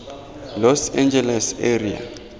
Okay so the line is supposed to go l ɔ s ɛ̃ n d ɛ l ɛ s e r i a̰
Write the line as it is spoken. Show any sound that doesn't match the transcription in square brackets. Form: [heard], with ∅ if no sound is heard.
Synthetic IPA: l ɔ s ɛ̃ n [d͡ʒ] ɛ l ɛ s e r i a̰